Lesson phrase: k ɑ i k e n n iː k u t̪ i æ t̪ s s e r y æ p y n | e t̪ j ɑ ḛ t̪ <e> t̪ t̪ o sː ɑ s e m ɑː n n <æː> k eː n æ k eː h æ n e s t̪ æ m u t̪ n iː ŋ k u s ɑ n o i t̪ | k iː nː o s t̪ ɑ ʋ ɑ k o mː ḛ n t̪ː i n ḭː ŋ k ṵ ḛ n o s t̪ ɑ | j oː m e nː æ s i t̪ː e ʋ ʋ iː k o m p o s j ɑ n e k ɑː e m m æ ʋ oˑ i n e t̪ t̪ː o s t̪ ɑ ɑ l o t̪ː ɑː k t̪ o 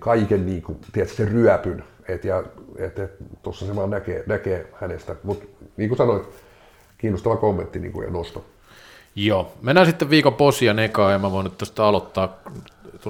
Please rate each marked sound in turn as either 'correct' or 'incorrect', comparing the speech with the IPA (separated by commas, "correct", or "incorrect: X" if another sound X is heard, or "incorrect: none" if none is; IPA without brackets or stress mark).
correct, incorrect: æ